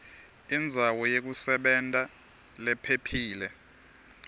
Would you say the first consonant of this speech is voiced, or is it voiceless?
voiced